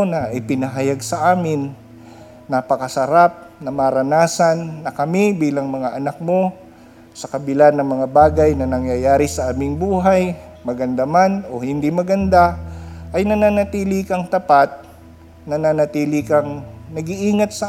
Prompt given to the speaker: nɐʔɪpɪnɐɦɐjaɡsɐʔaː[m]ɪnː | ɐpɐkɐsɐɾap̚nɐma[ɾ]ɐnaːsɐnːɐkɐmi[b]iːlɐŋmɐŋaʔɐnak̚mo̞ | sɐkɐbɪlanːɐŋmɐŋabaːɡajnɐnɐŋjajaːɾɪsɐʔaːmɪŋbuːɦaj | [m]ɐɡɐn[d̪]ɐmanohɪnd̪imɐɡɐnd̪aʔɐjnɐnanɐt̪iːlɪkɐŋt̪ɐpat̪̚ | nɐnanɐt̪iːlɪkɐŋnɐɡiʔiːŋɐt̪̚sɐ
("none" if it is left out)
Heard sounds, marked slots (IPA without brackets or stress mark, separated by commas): m, ɾ, b, m, d̪